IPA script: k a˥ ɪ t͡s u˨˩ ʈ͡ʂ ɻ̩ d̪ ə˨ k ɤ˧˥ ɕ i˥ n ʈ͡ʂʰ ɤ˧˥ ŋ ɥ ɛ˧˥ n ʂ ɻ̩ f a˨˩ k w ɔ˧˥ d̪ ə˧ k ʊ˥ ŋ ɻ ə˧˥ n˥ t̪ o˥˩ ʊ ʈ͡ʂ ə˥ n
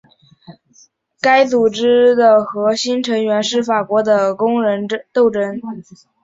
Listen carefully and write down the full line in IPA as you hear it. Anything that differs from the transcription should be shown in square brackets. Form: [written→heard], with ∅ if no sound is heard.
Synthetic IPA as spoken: k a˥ ɪ t͡s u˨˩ ʈ͡ʂ ɻ̩ d̪ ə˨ [k→x] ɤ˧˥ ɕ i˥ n ʈ͡ʂʰ ɤ˧˥ ŋ ɥ ɛ˧˥ n ʂ ɻ̩ f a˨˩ k w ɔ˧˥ d̪ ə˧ k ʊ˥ ŋ ɻ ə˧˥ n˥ t̪ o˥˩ ʊ ʈ͡ʂ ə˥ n